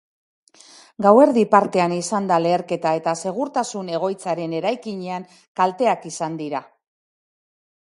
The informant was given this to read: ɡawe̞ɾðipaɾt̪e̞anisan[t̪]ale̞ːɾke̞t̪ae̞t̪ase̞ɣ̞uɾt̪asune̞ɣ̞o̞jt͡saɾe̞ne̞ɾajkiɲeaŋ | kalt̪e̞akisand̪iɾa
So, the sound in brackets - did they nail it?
no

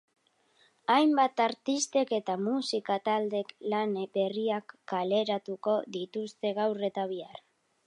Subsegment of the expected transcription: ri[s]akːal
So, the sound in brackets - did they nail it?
no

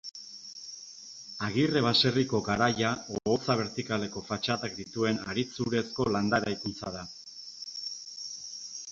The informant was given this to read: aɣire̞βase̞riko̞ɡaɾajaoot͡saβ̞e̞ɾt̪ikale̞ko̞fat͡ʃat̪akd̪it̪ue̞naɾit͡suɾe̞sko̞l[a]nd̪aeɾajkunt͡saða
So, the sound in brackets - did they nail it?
yes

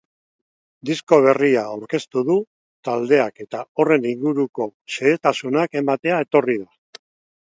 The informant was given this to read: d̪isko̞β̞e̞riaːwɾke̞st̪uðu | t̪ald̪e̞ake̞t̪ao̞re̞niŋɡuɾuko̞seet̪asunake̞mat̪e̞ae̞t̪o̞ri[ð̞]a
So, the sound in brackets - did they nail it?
yes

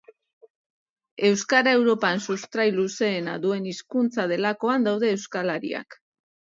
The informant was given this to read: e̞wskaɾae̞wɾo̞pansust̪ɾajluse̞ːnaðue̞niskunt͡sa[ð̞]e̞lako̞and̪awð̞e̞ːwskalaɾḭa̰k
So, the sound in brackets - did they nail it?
yes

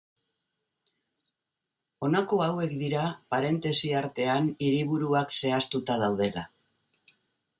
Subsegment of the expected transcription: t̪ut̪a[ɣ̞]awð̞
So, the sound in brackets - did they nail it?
no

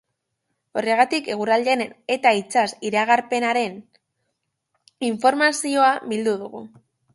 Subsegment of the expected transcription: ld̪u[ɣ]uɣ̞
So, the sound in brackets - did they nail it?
no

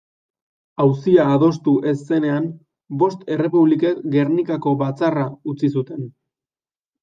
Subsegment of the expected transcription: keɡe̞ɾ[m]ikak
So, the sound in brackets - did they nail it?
no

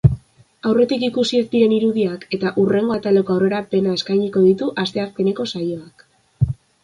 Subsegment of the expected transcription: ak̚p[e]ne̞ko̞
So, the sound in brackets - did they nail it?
yes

